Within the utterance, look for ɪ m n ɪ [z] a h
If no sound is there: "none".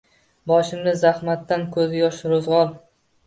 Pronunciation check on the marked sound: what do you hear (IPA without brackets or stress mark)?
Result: z